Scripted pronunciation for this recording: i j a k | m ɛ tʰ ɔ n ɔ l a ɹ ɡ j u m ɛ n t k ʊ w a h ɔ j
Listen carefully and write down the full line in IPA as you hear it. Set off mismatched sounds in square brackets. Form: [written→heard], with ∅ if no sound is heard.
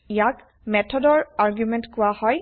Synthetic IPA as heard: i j a k | m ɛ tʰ ɔ [n→d] ɔ [l→ɹ] a ɹ ɡ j u m ɛ n t k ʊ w a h ɔ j